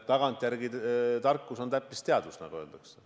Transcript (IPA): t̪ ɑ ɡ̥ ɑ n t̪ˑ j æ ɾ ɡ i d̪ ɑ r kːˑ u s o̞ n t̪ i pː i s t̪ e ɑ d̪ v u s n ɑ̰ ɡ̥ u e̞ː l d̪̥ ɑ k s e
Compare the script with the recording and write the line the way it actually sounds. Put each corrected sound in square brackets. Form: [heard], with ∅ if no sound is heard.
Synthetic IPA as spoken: t̪ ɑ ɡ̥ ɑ n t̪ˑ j æ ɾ ɡ i [t̪] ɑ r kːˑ u s o̞ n t̪ [æ] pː i s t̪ e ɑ d̪ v u s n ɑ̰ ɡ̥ u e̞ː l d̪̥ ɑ k s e